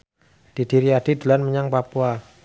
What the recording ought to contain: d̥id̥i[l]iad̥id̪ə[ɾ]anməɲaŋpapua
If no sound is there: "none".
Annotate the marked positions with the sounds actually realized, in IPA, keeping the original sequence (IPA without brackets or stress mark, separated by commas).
ɾ, l